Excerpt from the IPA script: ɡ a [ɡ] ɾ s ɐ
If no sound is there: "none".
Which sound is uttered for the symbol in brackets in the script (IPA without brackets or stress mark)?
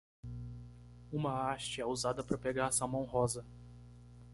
none